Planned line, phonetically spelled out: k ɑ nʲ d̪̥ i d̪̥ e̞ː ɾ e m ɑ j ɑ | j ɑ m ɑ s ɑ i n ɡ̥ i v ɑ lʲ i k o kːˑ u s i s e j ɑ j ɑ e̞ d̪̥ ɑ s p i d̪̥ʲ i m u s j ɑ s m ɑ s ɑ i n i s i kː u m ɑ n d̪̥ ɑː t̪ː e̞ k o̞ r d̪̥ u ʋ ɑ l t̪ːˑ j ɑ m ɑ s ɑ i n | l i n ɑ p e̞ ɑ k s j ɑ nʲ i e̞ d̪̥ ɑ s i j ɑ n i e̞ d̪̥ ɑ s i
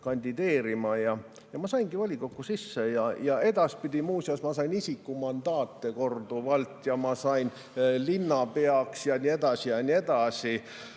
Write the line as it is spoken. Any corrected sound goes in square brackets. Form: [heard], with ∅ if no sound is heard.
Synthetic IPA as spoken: k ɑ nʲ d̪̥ i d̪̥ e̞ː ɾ [i] m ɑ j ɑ | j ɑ m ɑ s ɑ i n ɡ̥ i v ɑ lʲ i k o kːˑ u s i [sː] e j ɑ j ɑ e̞ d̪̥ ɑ s p i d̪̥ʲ i m [uː] s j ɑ s m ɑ s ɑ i n i s i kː u m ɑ n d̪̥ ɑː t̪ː e̞ k o̞ r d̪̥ u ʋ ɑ l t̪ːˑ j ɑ m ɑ s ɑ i n | l i [nː] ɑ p e̞ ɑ k s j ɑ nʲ i e̞ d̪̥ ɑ s i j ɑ n i e̞ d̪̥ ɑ s i